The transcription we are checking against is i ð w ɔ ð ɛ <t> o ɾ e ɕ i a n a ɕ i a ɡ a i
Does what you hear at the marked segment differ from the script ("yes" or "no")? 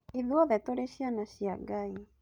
no